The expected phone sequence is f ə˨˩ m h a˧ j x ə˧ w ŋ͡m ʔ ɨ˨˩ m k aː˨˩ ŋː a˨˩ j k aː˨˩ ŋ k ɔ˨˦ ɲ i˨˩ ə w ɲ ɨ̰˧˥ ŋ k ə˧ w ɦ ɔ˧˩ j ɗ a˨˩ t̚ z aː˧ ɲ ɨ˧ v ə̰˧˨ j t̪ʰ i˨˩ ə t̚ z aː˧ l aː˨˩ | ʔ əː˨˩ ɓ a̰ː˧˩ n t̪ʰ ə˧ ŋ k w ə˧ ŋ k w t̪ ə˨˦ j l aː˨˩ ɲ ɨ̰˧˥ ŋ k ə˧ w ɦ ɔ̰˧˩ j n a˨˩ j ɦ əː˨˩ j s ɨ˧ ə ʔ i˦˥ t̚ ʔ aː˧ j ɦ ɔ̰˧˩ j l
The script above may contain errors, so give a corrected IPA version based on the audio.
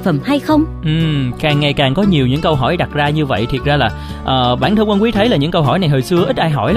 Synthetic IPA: f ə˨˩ m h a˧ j x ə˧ w ŋ͡m ʔ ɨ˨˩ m k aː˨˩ ŋː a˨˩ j k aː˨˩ ŋ k ɔ˨˦ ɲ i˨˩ ə w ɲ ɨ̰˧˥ ŋ k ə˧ w ɦ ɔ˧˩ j ɗ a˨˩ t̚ z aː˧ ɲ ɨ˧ v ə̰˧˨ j t̪ʰ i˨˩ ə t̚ z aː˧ l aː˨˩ | ʔ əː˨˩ ɓ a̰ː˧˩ n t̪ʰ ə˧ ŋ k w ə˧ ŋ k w t̪ʰ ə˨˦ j l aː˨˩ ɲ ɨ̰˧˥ ŋ k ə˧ w ɦ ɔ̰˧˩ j n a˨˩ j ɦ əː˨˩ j s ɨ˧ ə ʔ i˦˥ t̚ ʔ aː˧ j ɦ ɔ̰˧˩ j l